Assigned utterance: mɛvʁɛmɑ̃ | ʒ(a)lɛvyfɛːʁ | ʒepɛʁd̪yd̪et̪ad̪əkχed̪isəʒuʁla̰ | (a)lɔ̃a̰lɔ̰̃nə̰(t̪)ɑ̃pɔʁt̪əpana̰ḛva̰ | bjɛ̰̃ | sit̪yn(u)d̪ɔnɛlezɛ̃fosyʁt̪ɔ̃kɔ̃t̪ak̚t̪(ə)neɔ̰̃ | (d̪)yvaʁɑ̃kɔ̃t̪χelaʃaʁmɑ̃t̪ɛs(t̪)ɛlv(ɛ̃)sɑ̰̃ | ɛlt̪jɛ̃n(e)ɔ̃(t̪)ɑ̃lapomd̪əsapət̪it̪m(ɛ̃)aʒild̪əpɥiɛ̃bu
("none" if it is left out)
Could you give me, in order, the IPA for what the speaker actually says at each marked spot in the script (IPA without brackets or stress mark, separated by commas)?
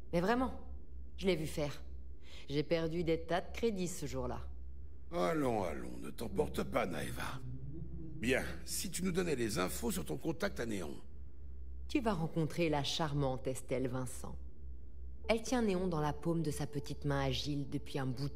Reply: ə, a, t̪, u, a, t̪, t̪, ɛ̃, e, d̪, ɛ̃